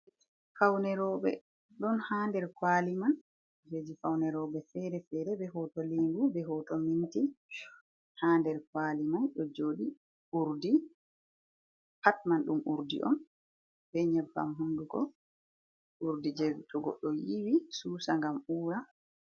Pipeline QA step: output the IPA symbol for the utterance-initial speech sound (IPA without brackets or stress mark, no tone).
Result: f